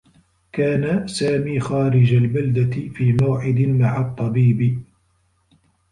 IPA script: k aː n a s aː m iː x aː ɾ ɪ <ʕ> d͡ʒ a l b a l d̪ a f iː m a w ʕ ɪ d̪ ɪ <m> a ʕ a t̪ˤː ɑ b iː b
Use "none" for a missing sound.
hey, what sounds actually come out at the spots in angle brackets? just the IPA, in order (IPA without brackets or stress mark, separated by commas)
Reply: none, m